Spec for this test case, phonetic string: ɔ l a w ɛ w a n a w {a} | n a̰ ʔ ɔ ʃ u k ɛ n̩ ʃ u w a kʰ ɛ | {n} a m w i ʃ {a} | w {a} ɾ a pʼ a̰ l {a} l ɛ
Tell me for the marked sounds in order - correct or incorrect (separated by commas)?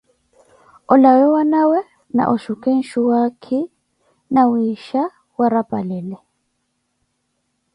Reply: incorrect, correct, correct, correct, incorrect